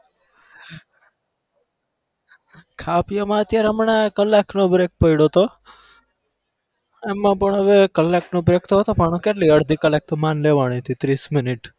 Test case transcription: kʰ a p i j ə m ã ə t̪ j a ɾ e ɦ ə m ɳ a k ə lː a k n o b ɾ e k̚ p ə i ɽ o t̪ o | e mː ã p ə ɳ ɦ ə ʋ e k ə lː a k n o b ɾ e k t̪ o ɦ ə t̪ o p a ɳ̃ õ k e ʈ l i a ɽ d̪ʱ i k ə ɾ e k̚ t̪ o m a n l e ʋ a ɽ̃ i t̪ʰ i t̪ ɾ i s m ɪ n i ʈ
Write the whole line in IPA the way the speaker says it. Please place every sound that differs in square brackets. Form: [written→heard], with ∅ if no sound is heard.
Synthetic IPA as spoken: kʰ a p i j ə m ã ə t̪ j a ɾ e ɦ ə m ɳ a k ə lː a k n o b ɾ e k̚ p ə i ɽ o t̪ o | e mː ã p ə ɳ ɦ ə ʋ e k ə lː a k n o b ɾ e k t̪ o ɦ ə t̪ o p a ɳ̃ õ k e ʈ l i [a→ə] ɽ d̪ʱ i k ə [ɾ→l] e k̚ t̪ o m a n l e ʋ a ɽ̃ i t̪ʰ i t̪ ɾ i s m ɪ n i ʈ